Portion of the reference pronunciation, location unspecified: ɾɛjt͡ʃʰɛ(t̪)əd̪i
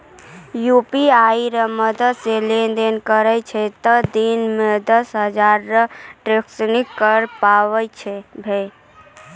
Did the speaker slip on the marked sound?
no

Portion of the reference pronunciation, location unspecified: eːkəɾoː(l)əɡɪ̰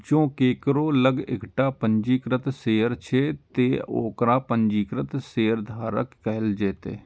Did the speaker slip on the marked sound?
no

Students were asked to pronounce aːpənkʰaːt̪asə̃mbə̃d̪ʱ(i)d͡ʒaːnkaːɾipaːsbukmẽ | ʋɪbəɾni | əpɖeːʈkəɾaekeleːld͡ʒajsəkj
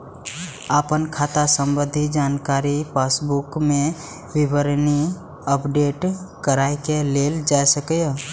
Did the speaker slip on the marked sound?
no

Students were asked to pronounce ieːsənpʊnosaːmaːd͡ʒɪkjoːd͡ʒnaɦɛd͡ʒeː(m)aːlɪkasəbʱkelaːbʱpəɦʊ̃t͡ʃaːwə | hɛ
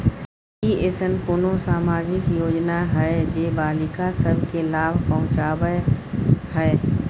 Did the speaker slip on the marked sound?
yes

